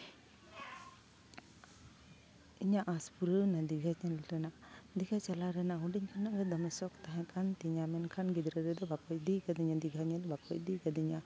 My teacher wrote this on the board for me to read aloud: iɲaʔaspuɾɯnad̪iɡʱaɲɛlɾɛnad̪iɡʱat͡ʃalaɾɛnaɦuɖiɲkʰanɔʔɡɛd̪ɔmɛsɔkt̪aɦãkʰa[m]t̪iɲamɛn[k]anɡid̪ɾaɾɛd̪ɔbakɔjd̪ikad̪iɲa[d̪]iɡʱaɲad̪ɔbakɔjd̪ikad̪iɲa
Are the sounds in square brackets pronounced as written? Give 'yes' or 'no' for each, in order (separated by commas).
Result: no, no, yes